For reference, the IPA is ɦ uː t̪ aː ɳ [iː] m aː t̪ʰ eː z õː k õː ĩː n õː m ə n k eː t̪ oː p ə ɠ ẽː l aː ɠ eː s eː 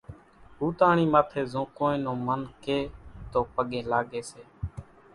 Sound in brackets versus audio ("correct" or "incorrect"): correct